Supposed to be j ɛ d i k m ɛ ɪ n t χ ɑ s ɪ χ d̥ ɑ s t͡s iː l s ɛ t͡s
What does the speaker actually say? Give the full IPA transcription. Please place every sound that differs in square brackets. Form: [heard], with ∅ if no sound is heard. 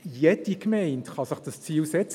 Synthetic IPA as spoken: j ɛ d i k m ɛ ɪ n t χ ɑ s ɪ χ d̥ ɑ s t͡s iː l s ɛ t͡s